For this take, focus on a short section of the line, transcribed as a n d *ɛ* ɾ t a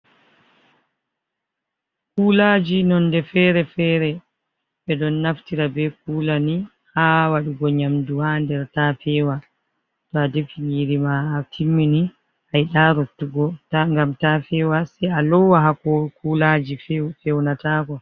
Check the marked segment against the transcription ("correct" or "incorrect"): correct